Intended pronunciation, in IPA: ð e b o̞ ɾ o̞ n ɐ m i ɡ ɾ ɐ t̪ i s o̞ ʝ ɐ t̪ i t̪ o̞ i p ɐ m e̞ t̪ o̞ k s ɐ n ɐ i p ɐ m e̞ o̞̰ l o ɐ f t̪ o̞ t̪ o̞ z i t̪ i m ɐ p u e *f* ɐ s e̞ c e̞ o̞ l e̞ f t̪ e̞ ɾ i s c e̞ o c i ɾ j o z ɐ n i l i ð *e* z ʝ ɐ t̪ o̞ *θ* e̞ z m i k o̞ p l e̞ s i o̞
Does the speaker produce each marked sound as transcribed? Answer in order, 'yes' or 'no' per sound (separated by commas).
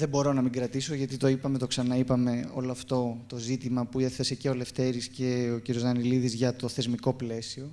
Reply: no, no, yes